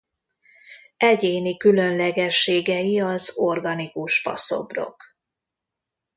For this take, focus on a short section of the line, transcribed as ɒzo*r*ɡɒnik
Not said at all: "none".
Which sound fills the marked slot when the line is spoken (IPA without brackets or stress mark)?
r